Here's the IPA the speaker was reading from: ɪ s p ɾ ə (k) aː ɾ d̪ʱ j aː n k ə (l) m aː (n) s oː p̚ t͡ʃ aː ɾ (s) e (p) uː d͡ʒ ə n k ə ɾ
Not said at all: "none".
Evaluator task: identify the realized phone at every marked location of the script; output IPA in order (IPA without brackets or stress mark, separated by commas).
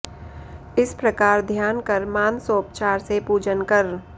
k, ɾ, n, s, p